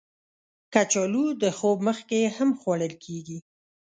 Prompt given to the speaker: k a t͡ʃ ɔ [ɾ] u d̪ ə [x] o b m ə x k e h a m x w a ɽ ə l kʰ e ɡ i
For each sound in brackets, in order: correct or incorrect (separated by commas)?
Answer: incorrect, correct